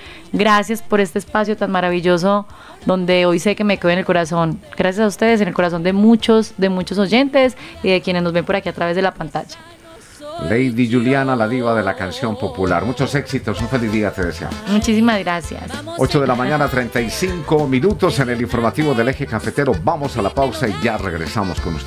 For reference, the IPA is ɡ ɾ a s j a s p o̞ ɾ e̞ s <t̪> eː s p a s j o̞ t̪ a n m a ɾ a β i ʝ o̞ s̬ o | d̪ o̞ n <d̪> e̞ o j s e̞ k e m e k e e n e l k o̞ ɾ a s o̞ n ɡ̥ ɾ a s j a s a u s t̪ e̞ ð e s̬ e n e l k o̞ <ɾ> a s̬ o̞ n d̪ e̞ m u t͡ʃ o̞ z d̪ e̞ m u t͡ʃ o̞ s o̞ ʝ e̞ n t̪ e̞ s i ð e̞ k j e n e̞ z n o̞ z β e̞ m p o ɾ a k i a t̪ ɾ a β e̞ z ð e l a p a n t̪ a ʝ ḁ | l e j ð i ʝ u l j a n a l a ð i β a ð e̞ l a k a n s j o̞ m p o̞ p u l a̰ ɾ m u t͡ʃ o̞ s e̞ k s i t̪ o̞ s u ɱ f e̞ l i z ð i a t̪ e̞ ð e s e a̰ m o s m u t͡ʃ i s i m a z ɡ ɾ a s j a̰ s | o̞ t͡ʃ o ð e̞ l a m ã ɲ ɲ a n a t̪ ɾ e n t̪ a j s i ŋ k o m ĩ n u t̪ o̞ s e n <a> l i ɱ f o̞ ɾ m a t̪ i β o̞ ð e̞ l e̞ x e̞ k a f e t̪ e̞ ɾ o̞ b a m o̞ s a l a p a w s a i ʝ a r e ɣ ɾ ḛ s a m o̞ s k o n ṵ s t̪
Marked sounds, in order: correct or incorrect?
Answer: correct, correct, correct, incorrect: e

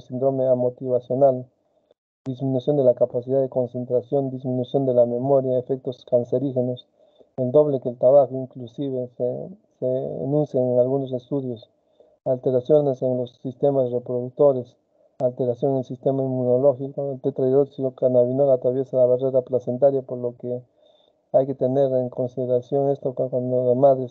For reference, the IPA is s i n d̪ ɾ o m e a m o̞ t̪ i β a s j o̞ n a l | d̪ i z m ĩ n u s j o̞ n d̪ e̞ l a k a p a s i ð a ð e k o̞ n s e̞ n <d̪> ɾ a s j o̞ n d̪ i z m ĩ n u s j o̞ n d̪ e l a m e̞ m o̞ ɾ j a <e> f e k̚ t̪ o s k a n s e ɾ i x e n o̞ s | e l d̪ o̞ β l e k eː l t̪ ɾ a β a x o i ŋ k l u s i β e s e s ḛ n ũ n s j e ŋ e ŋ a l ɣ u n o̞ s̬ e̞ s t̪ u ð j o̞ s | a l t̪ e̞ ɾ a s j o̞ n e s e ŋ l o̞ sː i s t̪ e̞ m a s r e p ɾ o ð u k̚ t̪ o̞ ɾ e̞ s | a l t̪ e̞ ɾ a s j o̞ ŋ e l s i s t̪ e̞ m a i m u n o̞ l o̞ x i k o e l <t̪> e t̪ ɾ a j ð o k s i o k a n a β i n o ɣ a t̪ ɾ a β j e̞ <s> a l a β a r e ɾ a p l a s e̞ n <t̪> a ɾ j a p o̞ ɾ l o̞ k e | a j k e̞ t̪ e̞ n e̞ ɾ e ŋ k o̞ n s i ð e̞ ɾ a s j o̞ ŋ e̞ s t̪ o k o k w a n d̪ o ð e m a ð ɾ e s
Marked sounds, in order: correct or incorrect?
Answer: incorrect: t̪, correct, correct, correct, correct

